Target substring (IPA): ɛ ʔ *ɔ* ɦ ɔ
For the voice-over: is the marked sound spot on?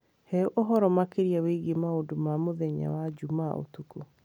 no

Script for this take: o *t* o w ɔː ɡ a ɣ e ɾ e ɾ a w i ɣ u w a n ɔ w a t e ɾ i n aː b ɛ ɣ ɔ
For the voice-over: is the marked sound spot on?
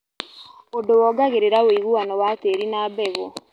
no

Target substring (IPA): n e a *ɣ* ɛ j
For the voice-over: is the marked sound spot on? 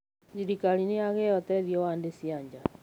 yes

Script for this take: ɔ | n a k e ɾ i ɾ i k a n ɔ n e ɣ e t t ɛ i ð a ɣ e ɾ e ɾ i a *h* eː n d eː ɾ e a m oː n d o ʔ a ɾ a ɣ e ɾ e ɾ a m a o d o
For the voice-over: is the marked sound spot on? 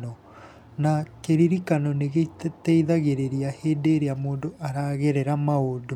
yes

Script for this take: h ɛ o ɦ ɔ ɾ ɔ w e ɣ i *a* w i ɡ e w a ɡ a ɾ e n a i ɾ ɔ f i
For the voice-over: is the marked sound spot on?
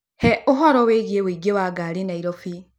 no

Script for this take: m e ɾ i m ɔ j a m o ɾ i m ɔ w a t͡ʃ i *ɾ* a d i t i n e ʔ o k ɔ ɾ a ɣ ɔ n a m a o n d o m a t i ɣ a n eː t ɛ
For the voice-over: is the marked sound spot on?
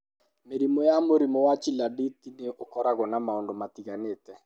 no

